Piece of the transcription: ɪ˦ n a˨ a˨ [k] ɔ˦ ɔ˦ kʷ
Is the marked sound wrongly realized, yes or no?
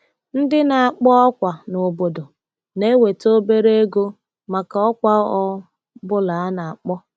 yes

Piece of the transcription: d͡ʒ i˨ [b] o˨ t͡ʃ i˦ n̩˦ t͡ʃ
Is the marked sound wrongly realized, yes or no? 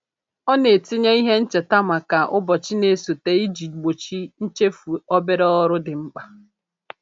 yes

